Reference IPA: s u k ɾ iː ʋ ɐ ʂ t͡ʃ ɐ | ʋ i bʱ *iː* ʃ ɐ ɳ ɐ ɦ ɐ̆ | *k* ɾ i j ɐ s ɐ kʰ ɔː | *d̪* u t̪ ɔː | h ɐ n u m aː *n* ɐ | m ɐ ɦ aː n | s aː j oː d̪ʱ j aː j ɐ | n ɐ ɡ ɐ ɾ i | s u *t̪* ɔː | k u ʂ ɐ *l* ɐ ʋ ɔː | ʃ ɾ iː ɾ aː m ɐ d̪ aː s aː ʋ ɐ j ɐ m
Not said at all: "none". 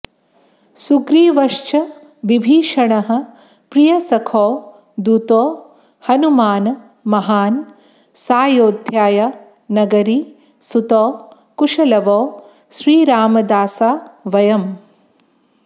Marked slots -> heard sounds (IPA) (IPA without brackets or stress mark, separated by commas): iː, p, d̪, n, t̪, l